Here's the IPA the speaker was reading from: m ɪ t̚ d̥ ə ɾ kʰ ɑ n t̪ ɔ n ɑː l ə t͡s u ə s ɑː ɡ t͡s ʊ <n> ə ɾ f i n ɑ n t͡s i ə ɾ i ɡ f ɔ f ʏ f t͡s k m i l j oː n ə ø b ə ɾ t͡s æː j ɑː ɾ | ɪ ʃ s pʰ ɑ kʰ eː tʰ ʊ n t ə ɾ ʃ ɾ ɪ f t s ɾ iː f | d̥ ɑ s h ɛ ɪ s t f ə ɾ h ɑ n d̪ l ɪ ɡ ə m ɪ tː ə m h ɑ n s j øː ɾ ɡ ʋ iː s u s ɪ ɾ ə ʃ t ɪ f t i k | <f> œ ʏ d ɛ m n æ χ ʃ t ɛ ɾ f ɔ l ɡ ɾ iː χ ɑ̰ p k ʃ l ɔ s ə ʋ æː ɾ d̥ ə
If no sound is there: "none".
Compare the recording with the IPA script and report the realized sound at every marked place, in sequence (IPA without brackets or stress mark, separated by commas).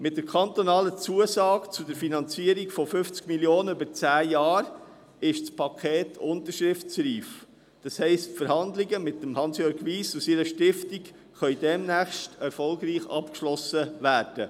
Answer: d, χ